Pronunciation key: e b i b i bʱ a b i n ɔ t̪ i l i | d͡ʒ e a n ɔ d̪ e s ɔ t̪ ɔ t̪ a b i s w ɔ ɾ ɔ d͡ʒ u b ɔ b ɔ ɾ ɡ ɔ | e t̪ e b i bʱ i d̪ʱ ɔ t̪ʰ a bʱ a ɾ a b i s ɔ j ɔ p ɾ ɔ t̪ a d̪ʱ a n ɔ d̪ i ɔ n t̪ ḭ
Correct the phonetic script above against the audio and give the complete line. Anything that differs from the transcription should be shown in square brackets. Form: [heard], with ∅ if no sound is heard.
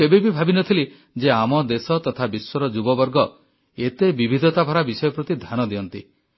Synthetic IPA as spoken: e b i b i bʱ a b i n ɔ [t̪ʰ] i l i | d͡ʒ e a [m] ɔ d̪ e s ɔ t̪ ɔ [t̪ʰ] a b i s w ɔ ɾ ɔ d͡ʒ u b ɔ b ɔ ɾ ɡ ɔ | e t̪ e b i bʱ i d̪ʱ ɔ [t̪] a bʱ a ɾ a b i s ɔ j ɔ p ɾ ɔ t̪ [i] d̪ʱ a n ɔ d̪ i ɔ n t̪ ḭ